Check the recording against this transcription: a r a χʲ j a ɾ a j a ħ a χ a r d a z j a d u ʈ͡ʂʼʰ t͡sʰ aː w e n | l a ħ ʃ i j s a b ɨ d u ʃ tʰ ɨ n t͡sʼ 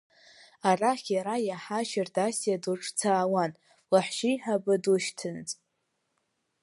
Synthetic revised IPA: a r a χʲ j a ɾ a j a ħ a ʃ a r d a s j a d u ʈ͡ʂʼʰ t͡sʰ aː w a n | l a ħ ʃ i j ħ a b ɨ d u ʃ tʰ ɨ n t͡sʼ

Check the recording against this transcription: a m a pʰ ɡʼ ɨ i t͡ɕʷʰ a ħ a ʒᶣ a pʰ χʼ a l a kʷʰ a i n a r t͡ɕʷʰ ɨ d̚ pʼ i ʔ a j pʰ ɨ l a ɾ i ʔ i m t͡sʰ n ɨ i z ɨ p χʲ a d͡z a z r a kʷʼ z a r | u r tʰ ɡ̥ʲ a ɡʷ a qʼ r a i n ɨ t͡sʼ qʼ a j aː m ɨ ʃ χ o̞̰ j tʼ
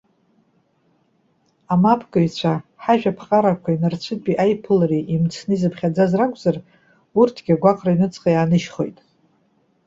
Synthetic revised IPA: a m a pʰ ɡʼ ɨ i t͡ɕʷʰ a ħ a ʒᶣ a pʰ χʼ a ɾ a kʷʰ a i n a r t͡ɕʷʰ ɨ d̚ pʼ i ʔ a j pʰ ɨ l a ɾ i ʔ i m t͡sʰ n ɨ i z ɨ p χʲ a d͡z a z r a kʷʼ z a r | u r tʰ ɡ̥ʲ a ɡʷ a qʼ r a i n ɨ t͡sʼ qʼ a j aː n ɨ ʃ χ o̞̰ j tʼ

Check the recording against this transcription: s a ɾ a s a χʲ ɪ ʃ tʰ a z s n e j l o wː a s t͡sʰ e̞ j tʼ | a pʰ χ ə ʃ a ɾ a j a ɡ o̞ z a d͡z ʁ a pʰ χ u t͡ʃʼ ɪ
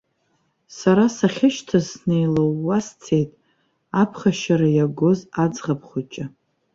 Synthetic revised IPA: s a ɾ a s a χʲ ɪ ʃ tʰ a z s n e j l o wː a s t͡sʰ e̞ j tʼ | a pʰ χ a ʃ a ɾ a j a ɡ o̞ z a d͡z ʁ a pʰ χ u t͡ʃʼ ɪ

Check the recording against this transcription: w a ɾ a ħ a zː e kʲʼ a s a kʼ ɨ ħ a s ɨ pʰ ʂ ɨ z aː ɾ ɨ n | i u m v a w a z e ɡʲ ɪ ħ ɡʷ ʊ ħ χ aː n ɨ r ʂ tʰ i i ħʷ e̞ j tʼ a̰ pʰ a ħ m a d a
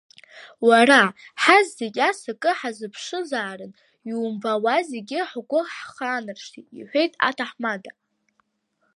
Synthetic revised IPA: w a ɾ a ħ a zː e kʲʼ a s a kʼ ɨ ħ a z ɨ pʰ ʂ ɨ z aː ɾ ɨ n | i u m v a w a z e ɡʲ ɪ ħ ɡʷ ʊ ħ χ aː n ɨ r ʂ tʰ i i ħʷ e̞ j tʼ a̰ tʰ a ħ m a d a

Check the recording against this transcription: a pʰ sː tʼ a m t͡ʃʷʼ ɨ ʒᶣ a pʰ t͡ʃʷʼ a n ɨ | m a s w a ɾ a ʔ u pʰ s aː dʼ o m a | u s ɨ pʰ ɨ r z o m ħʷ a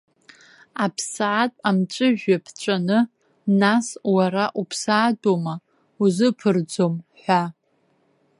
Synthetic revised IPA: a pʰ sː tʼ a m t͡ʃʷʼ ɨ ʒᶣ a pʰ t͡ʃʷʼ a n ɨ | n a s w a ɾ a ʔ u pʰ s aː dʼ o m a | u z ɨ pʰ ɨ r d͡z o m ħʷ a

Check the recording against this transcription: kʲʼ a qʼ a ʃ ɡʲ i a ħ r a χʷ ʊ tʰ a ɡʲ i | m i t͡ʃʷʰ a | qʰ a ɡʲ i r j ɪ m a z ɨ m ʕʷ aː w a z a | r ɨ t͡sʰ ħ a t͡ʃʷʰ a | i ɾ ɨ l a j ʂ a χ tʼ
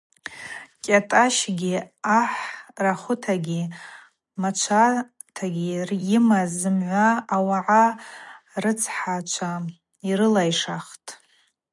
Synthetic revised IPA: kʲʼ a tʼ a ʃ ɡʲ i a ħ r a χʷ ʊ tʰ a ɡʲ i | m a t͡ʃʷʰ a | tʰ a ɡʲ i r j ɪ m a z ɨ m ʕʷ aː w a ʕ a | r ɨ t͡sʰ ħ a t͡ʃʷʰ a | i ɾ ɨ l a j ʂ a χ tʼ

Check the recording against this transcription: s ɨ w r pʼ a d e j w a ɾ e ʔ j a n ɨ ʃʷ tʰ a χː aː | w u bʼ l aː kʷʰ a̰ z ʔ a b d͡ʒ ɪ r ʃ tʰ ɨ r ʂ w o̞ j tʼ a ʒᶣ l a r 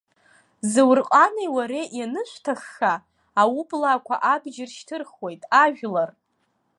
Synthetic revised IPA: z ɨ w r qʼ a n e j w a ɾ e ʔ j a n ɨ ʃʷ tʰ a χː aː | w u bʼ l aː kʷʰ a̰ ʔ a b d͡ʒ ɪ r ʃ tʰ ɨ r χ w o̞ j tʼ a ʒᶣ l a r

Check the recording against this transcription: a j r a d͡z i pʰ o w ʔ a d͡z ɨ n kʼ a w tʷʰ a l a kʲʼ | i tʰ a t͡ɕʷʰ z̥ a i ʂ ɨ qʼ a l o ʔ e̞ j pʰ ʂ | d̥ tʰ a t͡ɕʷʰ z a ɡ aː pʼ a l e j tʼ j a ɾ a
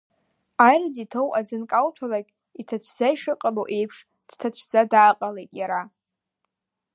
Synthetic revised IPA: a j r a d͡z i tʰ o w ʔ a d͡z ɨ n kʼ a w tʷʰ a l a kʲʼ | i tʰ a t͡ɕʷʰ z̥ a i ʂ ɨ qʼ a l o ʔ e̞ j pʰ ʂ | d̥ tʰ a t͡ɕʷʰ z a d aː qʼ a l e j tʼ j a ɾ a

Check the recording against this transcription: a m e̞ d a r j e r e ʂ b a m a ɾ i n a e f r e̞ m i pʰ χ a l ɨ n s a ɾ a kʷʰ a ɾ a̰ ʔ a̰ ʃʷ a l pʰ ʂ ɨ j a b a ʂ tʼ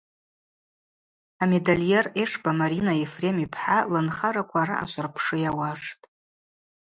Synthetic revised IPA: a m e̞ d a l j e r e ʂ b a m a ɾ i n a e f r e̞ m i pʰ ħ a l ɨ n χ a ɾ a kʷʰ a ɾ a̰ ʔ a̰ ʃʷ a r pʰ ʂ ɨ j a w a ʂ tʼ

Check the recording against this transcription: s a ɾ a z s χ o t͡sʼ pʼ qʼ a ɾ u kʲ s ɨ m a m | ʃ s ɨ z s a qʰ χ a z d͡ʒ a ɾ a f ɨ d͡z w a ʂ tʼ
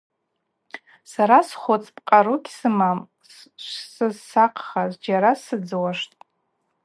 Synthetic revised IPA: s a ɾ a s χ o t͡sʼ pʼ qʼ a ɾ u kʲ s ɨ m a m | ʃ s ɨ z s a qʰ χ a z d͡ʒ a ɾ a s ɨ d͡z w a ʂ tʼ

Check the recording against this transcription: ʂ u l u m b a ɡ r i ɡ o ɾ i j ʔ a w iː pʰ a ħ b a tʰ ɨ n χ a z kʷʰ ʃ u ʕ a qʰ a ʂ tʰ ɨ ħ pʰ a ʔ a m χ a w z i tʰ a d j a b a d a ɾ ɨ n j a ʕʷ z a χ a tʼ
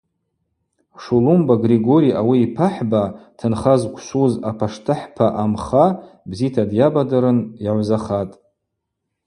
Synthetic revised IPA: ʂ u l u m b a ɡ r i ɡ o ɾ i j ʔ a w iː pʰ a ħ b a tʰ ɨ n χ a z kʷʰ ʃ u z a pʰ a ʂ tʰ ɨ ħ pʰ a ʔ a m χ a b z i tʰ a d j a b a d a ɾ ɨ n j a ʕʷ z a χ a tʼ

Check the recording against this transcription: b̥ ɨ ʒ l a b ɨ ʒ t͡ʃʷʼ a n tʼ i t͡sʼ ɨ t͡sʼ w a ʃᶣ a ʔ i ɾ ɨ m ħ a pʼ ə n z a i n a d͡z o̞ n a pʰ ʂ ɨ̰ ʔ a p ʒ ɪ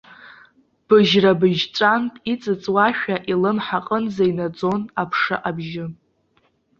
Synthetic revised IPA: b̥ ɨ ʒ r a b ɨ ʒ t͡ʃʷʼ a n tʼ i t͡sʼ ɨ t͡sʼ w a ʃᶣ a ʔ i l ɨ m ħ a qʼ ə n z a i n a d͡z o̞ n a pʰ ʂ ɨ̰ ʔ a b ʒ ɪ

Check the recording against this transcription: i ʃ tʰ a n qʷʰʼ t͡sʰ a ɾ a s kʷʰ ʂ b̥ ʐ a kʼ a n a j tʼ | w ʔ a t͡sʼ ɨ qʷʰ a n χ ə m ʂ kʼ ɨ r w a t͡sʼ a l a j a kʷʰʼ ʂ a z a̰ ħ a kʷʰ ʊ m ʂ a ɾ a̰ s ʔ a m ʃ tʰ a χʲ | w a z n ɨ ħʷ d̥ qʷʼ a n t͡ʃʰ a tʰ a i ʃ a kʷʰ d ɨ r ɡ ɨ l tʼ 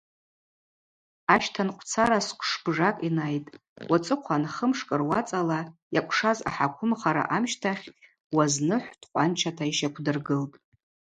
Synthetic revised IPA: a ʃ tʰ a n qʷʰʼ t͡sʰ a ɾ a s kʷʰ ʂ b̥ ʐ a kʼ i n a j tʼ | w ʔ a t͡sʼ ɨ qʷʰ a n χ ə m ʂ kʼ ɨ r w a t͡sʼ a l a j a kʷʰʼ ʂ a z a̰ ħ a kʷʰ ʊ m χ a ɾ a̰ ʔ a m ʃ tʰ a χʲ | w a z n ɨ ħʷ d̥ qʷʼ a n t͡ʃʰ a tʰ a i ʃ a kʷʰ d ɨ r ɡ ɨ l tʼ

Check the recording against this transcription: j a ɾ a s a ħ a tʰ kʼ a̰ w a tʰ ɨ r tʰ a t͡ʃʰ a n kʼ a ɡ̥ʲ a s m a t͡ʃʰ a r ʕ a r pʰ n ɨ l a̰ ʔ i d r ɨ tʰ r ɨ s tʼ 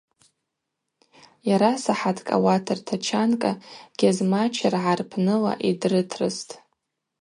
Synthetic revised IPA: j a ɾ a s a ħ a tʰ kʼ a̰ w a tʰ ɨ r tʰ a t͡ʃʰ a n kʼ a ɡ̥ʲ a z m a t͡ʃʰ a r ʕ a r pʰ n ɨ l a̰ ʔ i d r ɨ tʰ r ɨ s tʼ

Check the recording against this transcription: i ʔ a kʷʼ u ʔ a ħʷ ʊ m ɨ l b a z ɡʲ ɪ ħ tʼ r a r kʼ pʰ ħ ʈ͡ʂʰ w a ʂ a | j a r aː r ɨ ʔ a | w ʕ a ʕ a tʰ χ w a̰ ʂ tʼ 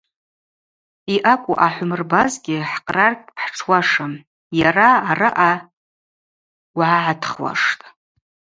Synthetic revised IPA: i ʔ a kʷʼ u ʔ a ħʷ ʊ m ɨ r b a z ɡʲ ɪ ħ qʼ r a r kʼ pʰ ħ ʈ͡ʂʰ w a ʂ a | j a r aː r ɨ ʔ a | w ʕ a ʕ a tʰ χ w a̰ ʂ tʼ

